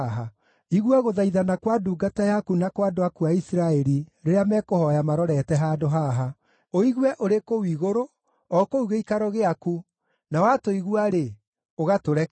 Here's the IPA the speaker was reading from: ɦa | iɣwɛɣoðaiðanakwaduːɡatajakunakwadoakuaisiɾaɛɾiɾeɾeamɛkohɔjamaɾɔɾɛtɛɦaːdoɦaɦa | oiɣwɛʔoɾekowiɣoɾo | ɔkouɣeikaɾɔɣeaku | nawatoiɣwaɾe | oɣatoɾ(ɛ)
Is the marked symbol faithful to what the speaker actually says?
yes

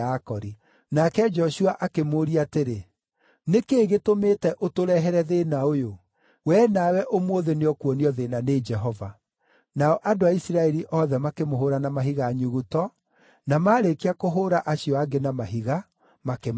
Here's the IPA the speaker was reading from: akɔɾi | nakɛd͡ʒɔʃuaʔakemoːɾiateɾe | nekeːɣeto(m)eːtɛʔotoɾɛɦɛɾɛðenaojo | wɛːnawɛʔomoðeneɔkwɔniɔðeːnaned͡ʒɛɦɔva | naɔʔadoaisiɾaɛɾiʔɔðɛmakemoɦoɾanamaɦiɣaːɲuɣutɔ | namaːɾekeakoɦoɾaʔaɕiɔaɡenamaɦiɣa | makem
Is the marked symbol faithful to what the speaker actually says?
yes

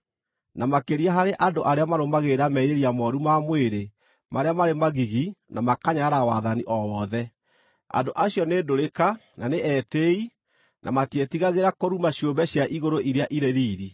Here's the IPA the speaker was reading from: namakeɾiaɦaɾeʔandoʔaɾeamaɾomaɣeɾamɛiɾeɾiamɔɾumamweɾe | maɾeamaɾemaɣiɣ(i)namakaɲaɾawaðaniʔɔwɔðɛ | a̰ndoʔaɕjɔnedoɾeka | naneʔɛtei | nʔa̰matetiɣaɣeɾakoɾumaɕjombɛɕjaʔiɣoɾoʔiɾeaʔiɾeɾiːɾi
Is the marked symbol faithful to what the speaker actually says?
yes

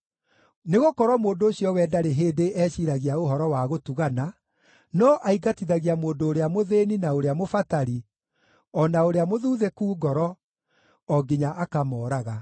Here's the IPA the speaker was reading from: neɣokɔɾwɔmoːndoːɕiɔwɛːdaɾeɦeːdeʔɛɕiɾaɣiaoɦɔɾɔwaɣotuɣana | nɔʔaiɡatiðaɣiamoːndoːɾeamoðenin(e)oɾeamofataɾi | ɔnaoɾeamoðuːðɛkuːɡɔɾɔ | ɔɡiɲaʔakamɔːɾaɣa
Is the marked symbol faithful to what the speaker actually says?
no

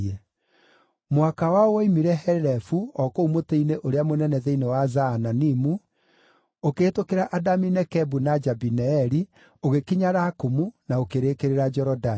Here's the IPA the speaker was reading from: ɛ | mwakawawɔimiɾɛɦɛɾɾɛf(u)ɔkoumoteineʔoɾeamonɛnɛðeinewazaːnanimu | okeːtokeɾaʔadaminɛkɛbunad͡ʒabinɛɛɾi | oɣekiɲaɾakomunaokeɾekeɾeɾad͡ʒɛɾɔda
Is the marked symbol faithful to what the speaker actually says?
yes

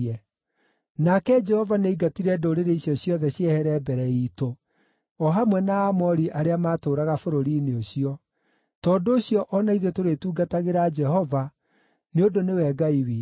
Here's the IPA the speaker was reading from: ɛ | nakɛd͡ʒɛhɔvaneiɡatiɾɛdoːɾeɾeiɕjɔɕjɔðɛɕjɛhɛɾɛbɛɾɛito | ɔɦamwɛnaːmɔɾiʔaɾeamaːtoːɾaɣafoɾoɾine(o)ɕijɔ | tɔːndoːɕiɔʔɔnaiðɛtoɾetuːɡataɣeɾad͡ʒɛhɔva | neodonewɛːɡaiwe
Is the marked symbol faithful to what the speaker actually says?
yes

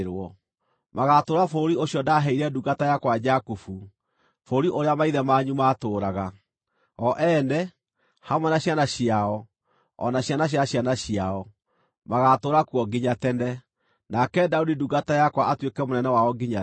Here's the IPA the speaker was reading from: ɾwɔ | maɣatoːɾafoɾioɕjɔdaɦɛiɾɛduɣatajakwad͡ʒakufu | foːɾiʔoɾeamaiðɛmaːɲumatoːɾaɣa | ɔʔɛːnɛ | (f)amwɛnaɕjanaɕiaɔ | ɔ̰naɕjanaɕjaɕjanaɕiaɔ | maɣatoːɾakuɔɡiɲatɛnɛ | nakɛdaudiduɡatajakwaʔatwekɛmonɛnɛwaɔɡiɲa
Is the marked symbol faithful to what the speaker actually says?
no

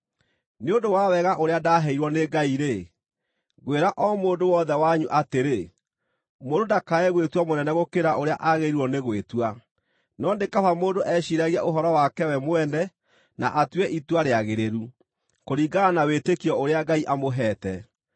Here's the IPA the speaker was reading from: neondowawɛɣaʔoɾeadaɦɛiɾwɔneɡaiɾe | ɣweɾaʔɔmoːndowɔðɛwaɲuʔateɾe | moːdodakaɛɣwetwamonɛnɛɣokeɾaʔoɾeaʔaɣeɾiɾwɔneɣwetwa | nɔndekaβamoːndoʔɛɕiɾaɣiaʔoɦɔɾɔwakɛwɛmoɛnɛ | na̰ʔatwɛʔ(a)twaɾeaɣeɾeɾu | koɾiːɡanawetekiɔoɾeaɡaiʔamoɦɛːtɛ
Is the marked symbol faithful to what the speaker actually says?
no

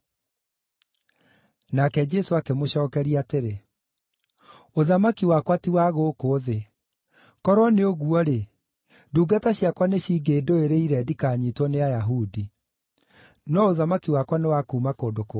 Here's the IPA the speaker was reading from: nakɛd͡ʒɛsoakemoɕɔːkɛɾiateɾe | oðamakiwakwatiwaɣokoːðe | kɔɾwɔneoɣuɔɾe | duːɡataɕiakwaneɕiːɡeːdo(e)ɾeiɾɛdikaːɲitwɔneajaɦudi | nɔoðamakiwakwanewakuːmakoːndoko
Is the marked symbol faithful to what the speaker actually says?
yes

